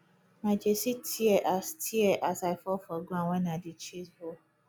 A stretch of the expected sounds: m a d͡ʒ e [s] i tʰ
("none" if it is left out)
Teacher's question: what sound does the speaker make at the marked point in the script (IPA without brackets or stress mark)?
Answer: s